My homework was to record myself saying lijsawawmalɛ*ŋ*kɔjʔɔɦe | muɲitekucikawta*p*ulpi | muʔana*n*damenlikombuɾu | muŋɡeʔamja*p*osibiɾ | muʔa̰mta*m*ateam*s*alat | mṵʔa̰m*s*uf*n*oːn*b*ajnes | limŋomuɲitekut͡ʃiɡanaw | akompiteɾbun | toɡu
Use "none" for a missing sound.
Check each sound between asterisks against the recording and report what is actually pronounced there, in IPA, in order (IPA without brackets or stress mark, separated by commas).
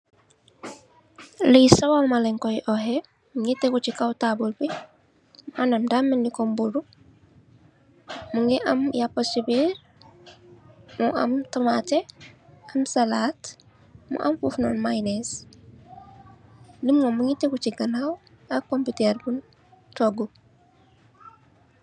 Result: ŋ, b, m, p, m, s, f, n, m